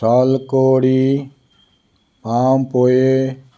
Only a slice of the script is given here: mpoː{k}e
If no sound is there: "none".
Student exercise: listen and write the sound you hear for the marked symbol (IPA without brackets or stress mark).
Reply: none